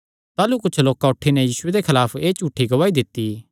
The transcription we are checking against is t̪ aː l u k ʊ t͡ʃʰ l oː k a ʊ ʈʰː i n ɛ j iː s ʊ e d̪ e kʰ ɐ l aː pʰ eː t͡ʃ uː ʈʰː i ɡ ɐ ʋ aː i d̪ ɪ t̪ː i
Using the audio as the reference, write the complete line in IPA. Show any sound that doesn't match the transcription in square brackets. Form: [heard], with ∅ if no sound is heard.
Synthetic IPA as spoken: t̪ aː l u k ʊ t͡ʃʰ l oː k a ʊ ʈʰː i n ɛ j iː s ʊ e d̪ e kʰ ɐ l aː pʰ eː t͡ʃ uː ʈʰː i ɡ ɐ ʋ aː i d̪ ɪ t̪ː i